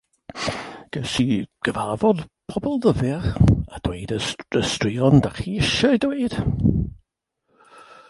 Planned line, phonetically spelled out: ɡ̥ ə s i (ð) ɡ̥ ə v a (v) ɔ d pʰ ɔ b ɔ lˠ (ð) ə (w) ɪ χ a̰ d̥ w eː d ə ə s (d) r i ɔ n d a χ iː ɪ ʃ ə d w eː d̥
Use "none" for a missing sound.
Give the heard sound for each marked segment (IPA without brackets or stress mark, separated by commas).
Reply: none, v, ð, v, t